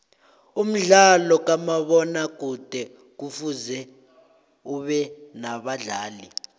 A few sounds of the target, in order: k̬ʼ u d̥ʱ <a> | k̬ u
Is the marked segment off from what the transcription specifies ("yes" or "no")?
yes